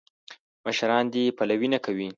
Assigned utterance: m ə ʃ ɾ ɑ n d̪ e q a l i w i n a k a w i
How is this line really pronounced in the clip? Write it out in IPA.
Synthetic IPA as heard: m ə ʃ ɾ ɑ n d̪ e p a l a w i n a k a w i